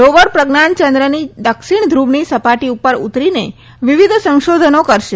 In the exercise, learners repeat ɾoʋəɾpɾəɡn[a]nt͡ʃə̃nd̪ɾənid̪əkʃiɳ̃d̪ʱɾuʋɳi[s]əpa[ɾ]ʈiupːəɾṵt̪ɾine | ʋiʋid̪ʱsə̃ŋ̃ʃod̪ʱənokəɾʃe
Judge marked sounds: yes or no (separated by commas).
yes, yes, no